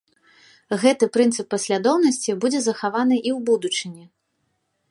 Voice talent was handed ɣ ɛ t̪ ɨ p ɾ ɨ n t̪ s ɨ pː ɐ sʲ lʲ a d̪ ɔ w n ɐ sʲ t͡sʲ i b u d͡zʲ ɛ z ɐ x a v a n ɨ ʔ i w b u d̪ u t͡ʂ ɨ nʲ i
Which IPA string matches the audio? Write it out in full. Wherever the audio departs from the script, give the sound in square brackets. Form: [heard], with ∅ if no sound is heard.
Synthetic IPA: ɣ ɛ t̪ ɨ p ɾ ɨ n t̪ s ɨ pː ɐ sʲ lʲ a d̪ ɔ w n ɐ sʲ t͡sʲ i b u d͡zʲ ɛ z ɐ x a v a n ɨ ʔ i w b u d̪ u t͡ʂ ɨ nʲ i